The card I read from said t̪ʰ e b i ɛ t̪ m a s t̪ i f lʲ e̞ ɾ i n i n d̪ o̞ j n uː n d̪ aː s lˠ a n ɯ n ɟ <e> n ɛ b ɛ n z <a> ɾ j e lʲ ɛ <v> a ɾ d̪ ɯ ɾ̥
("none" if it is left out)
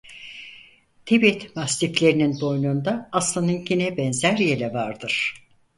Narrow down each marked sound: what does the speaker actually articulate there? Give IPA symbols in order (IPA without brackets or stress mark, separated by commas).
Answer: i, æ, v